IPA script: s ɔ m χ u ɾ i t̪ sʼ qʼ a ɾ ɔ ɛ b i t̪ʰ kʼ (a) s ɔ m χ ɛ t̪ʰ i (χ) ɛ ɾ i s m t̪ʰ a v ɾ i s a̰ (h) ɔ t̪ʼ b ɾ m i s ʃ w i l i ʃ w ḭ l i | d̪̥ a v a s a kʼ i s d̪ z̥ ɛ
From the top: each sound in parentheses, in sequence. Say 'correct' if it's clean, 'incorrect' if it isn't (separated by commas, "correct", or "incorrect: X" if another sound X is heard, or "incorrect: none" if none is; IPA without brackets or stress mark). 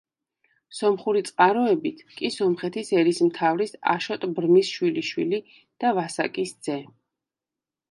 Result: incorrect: i, incorrect: s, incorrect: ʃ